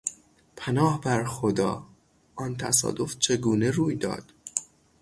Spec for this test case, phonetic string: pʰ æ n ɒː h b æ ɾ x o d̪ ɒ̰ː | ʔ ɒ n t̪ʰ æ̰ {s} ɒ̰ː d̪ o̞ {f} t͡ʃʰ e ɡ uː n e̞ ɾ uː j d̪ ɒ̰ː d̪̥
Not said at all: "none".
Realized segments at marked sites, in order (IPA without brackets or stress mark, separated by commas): s, f